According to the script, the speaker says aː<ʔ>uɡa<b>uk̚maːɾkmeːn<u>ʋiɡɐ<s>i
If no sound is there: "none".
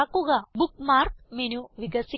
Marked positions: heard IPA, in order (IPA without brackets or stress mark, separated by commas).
k, b, u, s